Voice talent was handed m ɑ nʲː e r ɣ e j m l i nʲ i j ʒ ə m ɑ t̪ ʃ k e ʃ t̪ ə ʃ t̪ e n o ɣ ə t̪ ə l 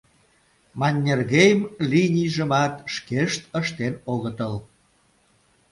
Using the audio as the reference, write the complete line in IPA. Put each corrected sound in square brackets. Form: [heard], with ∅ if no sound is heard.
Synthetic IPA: m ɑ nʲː e r ɣ e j m l i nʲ i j ʒ ə m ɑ t̪ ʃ k e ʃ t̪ ə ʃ t̪ e n o ɣ ə t̪ ə l